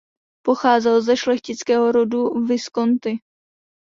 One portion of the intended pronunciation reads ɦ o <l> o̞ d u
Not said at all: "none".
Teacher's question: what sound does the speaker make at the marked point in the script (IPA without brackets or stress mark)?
ɾ